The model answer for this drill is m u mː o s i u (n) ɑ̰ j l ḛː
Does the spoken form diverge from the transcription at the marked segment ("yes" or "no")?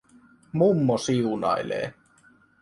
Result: no